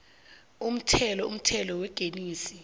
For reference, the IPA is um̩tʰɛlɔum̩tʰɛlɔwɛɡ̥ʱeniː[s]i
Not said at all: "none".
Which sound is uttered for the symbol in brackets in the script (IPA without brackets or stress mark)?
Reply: s